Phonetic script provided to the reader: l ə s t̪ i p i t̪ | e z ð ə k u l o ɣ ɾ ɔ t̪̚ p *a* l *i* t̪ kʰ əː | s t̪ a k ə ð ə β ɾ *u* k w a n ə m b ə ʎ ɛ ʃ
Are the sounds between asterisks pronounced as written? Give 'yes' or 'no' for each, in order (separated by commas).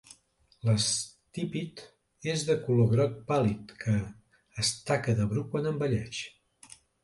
yes, yes, yes